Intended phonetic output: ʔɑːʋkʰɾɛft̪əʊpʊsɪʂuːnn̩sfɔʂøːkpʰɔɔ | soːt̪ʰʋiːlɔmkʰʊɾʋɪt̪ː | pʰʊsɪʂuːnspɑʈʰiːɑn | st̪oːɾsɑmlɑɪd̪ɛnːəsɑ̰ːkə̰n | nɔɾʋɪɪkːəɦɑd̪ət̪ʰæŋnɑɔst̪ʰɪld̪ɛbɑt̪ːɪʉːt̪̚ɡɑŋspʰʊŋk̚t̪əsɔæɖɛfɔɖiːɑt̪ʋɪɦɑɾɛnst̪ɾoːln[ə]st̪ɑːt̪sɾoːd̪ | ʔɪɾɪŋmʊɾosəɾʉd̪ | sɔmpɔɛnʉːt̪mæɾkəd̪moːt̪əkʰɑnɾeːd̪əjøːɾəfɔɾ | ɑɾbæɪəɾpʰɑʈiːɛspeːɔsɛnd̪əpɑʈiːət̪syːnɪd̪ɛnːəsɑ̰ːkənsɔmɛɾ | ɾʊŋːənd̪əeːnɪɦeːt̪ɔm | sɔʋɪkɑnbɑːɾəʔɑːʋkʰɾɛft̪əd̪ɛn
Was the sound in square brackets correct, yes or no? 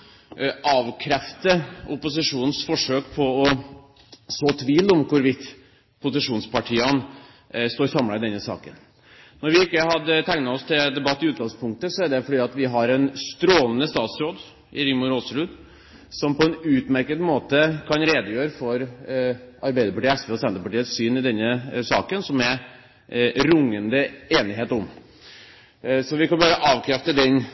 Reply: yes